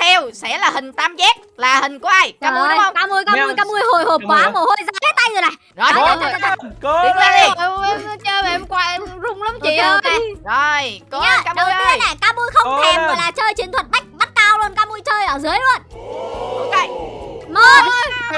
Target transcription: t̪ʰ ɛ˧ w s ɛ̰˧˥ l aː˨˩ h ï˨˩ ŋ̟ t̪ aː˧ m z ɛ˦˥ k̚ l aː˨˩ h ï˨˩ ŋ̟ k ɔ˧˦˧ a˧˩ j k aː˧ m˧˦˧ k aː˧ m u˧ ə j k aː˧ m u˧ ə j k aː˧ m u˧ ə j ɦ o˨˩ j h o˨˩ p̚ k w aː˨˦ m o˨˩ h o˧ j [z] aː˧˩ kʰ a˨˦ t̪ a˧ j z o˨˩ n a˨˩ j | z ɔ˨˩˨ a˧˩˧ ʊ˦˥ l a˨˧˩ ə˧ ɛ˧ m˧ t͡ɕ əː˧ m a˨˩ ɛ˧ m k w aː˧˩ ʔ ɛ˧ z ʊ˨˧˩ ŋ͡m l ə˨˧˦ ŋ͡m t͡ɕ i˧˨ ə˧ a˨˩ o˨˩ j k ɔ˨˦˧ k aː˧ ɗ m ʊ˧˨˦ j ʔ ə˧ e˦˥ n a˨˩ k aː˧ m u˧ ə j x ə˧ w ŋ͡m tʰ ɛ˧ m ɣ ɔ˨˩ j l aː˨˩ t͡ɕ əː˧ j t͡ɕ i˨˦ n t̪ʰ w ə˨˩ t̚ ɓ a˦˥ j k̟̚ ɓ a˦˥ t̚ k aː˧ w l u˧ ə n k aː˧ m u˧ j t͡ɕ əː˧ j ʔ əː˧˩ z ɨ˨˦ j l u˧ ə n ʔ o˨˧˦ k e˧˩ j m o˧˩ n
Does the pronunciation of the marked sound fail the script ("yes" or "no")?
no